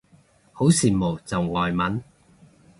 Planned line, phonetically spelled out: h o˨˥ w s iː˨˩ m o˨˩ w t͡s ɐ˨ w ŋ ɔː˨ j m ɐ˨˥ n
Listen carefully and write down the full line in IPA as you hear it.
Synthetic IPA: h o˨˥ w s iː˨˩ m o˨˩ w t͡s ɐ˨ w ŋ ɔː˨ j m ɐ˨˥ n